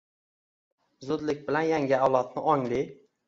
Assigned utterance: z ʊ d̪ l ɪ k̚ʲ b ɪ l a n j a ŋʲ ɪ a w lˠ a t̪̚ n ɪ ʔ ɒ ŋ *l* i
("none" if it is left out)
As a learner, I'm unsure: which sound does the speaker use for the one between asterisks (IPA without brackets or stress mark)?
l